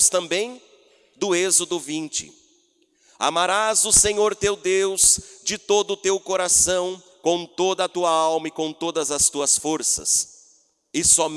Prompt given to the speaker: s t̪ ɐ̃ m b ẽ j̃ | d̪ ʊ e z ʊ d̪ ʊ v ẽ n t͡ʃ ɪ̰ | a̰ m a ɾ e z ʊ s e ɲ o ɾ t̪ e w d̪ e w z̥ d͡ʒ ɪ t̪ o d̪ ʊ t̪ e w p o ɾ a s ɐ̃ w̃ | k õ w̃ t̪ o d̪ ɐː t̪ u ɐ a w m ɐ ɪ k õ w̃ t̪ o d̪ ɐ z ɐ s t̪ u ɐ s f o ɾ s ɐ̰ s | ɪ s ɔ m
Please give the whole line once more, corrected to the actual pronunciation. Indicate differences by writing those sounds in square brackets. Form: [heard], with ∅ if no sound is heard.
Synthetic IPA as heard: s t̪ ɐ̃ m b ẽ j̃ | d̪ ʊ e z ʊ d̪ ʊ v [ĩ] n t͡ʃ ɪ̰ | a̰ m a ɾ [a] z ʊ s e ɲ o ɾ t̪ e w d̪ e w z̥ d͡ʒ ɪ t̪ o d̪ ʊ t̪ e w [k] o ɾ a s ɐ̃ w̃ | k õ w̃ t̪ o d̪ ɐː t̪ u ɐ a w m ɐ ɪ k õ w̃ t̪ o d̪ ɐ z ɐ s t̪ u ɐ s f o ɾ s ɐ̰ s | ɪ s ɔ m